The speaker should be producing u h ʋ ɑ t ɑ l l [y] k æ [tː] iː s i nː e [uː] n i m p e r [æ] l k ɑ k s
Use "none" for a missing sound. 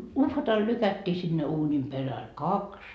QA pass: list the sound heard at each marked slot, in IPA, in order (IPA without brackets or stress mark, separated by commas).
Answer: y, tː, uː, æ